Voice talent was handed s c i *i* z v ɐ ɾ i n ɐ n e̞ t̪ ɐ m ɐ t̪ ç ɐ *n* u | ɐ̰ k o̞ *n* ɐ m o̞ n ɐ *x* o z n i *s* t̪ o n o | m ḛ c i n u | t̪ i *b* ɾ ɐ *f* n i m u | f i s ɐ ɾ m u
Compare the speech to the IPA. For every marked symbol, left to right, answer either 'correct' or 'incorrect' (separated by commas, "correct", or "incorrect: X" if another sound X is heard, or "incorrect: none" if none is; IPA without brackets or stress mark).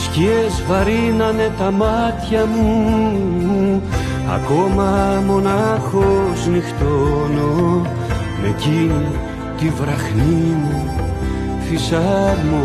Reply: incorrect: e, incorrect: m, incorrect: m, correct, incorrect: x, incorrect: v, incorrect: x